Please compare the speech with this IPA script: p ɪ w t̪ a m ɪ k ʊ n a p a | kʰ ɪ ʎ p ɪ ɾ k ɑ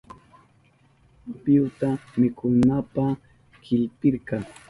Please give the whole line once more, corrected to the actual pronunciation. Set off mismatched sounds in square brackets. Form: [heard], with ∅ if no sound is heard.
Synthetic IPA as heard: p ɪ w t̪ a m ɪ k ʊ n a p a | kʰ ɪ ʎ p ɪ ɾ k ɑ